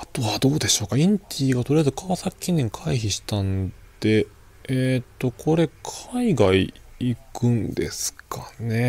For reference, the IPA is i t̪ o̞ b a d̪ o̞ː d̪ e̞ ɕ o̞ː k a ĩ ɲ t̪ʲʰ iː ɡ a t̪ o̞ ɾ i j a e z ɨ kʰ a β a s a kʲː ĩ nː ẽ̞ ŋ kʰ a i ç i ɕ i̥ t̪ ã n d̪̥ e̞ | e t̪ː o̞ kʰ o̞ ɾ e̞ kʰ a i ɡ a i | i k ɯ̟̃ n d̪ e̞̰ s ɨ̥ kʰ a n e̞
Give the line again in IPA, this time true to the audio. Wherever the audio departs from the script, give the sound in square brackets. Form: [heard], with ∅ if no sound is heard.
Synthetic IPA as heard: [a] t̪ o̞ [β] a d̪ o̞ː d̪ e̞ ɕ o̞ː k a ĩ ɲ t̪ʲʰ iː ɡ a t̪ o̞ ɾ i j a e z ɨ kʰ a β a s a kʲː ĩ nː ẽ̞ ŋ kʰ a i ç i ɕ i̥ t̪ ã n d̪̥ e̞ | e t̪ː o̞ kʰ o̞ ɾ e̞ kʰ a i ɡ a i | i k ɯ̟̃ n d̪ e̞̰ s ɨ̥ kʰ a n e̞